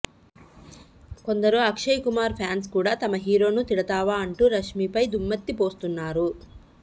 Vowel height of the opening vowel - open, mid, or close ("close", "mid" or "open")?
mid